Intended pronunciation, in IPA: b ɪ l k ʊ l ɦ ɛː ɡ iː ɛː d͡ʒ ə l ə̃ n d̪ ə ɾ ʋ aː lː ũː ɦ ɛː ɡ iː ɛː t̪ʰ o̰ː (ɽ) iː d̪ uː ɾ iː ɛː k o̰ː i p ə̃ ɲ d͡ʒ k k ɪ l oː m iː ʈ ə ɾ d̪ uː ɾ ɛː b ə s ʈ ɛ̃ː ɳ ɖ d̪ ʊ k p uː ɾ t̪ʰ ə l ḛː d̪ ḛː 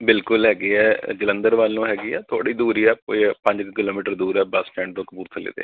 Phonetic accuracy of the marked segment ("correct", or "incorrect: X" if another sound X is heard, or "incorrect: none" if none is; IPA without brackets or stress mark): correct